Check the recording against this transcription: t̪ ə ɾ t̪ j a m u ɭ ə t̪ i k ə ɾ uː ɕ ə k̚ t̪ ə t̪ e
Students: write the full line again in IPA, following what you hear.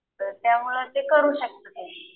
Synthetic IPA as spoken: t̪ ə ɾ t̪ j a m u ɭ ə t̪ e k ə ɾ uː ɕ ə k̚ t̪ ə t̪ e